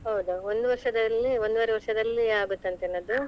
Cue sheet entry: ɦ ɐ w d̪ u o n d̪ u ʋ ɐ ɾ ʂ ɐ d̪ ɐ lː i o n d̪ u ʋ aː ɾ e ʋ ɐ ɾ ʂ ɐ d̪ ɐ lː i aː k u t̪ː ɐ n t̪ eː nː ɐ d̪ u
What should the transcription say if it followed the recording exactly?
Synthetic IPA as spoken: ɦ ɐ w d̪ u o n d̪ u ʋ ɐ ɾ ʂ ɐ d̪ ɐ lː i o n d̪ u ʋ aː ɾ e ʋ ɐ ɾ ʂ ɐ d̪ ɐ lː i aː ɡ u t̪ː ɐ n t̪ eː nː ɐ d̪ u